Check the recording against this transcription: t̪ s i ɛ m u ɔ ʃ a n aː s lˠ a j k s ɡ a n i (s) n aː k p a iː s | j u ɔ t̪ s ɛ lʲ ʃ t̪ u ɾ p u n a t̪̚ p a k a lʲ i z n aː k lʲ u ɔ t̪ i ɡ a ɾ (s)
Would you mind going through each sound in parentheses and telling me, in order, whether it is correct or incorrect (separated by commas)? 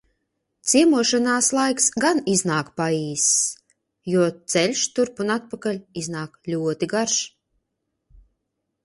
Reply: incorrect, incorrect